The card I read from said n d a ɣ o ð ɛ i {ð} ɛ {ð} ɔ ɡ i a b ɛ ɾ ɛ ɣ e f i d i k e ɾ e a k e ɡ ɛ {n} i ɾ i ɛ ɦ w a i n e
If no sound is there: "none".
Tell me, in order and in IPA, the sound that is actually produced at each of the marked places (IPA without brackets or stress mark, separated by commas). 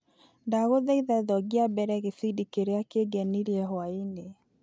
ð, ð, n